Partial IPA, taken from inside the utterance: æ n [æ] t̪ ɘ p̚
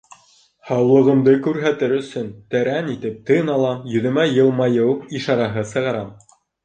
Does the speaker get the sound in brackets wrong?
yes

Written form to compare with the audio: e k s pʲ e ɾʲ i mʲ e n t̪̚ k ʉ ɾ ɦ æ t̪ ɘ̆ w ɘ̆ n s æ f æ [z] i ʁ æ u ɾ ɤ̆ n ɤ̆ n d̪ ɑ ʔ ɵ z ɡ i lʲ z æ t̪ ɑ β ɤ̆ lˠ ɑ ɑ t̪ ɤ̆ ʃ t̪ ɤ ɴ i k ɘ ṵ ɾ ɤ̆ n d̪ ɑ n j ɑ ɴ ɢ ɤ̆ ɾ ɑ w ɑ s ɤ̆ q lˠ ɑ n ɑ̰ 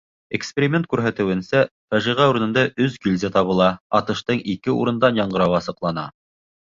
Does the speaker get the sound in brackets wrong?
yes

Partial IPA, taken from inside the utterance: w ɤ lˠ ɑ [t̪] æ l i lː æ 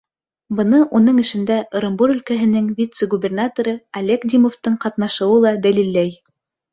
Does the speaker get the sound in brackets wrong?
yes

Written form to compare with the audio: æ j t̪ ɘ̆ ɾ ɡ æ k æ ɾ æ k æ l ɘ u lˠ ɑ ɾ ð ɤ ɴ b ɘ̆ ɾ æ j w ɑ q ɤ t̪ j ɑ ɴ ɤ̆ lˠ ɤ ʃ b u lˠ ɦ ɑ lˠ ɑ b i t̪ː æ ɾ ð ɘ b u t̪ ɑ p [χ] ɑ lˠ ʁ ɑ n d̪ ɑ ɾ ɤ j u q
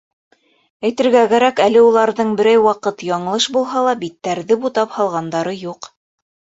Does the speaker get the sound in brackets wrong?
yes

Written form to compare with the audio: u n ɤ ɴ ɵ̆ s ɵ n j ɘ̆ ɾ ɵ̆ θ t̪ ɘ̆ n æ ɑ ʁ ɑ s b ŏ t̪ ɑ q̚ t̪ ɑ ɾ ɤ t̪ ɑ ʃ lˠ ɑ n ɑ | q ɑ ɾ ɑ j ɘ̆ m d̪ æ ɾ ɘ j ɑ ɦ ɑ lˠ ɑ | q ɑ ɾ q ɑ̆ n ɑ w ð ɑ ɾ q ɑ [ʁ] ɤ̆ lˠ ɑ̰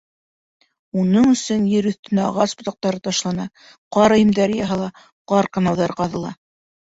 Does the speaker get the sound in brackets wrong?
yes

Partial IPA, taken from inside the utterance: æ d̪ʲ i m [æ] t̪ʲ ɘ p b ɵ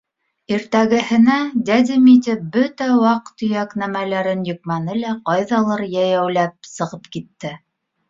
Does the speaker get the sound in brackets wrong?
yes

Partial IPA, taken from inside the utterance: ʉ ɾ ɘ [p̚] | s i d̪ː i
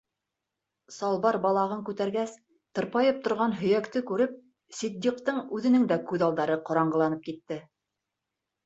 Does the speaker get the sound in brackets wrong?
no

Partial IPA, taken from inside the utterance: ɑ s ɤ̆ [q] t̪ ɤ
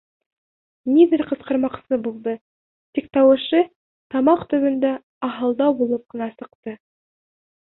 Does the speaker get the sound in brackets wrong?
no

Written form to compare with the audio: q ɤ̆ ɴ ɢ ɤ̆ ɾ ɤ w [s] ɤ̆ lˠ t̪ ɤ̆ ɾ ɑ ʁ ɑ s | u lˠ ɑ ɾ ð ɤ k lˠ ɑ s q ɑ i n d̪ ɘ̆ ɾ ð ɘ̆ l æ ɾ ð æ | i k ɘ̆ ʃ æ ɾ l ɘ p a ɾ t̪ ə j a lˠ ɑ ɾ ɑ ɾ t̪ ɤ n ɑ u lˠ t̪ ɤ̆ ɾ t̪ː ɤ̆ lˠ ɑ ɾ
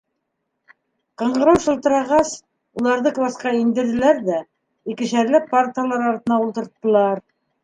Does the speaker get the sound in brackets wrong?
yes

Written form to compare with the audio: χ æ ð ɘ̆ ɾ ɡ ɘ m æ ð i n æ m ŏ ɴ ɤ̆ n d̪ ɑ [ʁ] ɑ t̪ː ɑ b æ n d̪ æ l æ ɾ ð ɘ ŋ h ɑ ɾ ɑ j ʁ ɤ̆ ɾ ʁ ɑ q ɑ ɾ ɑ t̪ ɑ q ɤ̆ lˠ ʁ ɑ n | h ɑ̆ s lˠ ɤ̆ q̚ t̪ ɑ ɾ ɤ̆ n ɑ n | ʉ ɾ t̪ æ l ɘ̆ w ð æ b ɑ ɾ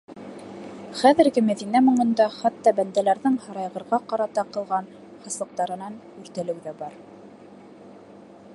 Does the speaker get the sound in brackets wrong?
yes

